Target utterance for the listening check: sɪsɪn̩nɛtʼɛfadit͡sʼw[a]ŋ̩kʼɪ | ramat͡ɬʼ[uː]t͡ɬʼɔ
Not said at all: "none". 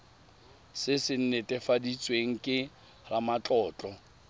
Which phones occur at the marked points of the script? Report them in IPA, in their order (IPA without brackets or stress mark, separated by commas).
e, ɔː